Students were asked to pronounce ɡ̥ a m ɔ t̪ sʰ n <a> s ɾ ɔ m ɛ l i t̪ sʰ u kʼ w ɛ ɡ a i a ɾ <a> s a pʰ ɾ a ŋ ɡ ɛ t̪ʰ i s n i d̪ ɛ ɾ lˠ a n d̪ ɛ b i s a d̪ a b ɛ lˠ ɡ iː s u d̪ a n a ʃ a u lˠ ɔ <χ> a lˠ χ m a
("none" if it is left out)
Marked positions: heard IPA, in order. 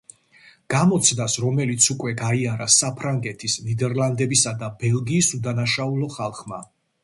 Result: a, a, χ

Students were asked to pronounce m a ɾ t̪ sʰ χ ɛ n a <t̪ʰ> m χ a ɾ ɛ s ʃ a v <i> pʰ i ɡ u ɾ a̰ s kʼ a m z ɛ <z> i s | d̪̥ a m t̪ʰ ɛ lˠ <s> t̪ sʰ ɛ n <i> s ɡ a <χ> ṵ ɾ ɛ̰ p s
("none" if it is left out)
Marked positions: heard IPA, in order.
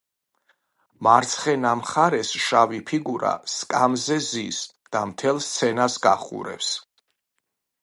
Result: none, i, z, s, a, χ

